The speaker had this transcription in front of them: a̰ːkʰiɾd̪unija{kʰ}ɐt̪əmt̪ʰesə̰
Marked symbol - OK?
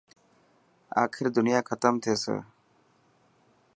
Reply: yes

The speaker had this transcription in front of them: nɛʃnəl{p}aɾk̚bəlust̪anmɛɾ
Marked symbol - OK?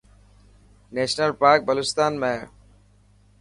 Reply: yes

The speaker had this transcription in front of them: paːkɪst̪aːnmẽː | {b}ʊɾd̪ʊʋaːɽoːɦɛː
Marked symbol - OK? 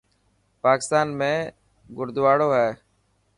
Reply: no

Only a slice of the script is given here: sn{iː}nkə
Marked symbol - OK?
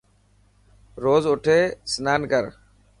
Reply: no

